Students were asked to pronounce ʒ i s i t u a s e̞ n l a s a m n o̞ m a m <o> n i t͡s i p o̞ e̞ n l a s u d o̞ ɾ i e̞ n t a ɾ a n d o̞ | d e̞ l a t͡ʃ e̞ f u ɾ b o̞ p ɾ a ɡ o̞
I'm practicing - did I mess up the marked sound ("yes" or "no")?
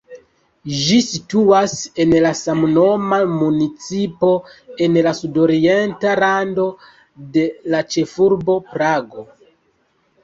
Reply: yes